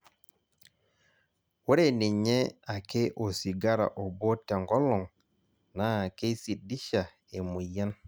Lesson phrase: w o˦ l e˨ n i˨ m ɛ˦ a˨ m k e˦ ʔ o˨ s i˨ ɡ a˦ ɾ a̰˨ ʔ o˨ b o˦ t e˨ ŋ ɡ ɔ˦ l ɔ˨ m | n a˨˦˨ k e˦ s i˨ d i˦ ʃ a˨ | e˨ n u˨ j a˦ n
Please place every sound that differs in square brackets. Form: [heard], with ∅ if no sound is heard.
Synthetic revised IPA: w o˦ [ɾ] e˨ n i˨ [ɲ] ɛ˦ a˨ [∅] k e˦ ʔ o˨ s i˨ ɡ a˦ ɾ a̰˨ ʔ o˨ b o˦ t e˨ ŋ ɡ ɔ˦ l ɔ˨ [ŋ] | n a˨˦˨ k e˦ s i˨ d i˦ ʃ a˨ | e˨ [m] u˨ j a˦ n